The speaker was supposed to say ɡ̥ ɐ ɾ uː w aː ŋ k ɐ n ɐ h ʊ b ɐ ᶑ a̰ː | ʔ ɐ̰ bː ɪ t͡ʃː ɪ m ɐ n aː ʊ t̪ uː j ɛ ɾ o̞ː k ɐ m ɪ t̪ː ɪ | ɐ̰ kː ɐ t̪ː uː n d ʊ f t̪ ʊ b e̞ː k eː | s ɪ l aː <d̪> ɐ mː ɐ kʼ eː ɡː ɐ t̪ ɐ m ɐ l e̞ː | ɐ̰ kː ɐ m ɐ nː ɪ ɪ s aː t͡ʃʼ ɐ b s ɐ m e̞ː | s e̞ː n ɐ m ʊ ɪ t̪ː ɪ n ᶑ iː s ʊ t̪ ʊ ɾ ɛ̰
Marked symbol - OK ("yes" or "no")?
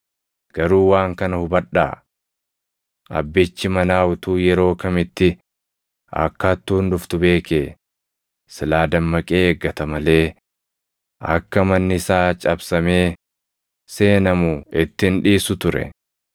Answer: yes